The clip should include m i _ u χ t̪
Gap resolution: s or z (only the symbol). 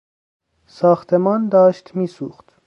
s